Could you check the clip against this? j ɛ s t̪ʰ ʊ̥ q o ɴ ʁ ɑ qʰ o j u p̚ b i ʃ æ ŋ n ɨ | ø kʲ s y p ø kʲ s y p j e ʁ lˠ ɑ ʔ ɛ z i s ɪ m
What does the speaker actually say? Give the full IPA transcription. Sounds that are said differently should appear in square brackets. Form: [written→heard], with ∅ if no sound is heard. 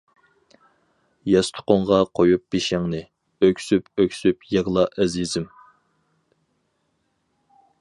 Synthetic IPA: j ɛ s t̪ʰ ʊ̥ q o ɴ ʁ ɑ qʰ o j u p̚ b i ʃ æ ŋ n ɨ | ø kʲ s y p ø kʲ s y p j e ʁ lˠ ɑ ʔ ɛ z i [s→z] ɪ m